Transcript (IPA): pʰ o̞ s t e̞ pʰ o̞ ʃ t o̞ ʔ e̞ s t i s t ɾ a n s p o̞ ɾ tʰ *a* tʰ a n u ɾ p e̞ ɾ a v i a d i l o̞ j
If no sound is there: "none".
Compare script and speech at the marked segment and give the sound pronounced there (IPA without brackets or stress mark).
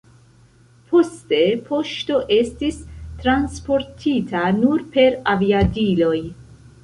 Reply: i